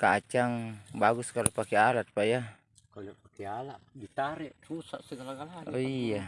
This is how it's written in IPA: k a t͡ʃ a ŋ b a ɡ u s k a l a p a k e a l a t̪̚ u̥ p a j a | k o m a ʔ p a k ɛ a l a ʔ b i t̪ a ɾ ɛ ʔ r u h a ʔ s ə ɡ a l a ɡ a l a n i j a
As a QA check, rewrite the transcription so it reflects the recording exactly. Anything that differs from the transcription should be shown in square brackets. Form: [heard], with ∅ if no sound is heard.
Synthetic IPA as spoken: k a t͡ʃ a ŋ b a ɡ u s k a l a p a k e a l a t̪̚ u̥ p a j a | k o [n] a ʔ p a k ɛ a l a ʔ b i t̪ a ɾ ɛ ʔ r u [s] a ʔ s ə ɡ a l a ɡ a l a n i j a

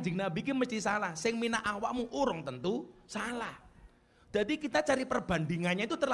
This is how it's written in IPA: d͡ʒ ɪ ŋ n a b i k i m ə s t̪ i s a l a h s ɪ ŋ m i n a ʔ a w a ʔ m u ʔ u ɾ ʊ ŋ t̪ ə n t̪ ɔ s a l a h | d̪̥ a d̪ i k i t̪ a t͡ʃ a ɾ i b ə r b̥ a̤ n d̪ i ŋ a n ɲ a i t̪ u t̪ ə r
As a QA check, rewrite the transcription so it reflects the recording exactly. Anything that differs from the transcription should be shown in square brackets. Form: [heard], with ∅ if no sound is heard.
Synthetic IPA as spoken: d͡ʒ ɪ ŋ n a b i k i m ə s t̪ i s a l a h s ɪ ŋ m i n a ʔ a w a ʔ m u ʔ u ɾ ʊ ŋ t̪ ə n t̪ [u] s a l a h | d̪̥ a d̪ i k i t̪ a t͡ʃ a ɾ i [p] ə r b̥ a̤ n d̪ i ŋ a n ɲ a i t̪ u t̪ ə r

